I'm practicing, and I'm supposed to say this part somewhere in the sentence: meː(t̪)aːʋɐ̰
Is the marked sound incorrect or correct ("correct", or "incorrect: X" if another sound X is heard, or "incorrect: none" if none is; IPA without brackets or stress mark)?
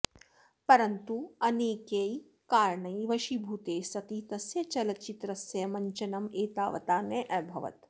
correct